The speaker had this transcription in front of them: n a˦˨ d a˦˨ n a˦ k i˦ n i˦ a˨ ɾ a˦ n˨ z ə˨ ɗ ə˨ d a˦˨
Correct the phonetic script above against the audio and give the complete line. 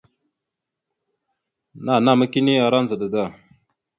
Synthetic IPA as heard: n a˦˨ n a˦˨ m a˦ k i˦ n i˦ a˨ ɾ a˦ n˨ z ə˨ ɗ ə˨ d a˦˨